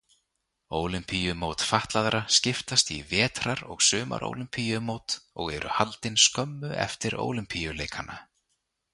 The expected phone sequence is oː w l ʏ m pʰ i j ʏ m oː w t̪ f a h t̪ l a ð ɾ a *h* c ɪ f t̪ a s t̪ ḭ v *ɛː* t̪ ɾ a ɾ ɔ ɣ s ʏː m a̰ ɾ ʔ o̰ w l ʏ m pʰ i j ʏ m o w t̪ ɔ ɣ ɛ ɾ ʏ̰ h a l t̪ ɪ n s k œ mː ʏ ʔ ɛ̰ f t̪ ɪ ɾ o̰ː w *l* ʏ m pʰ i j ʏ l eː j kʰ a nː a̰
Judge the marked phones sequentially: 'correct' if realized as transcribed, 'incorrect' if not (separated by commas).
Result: incorrect, correct, correct